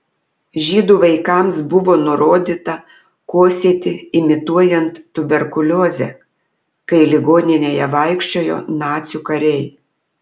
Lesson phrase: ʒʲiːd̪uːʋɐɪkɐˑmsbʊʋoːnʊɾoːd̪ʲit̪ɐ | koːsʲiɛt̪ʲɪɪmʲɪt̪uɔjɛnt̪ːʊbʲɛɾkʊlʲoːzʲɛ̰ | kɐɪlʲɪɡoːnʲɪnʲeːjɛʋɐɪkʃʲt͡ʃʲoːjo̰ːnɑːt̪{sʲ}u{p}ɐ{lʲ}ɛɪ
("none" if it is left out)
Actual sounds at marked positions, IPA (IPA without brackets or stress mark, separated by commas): sʲ, k, ɾʲ